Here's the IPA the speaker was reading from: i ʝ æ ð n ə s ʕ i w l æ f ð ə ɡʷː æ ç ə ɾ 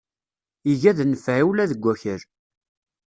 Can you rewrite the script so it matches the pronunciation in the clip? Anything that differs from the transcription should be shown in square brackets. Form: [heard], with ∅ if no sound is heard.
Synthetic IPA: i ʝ æ ð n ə [f] ʕ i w l æ [∅] ð ə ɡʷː æ ç ə ɾ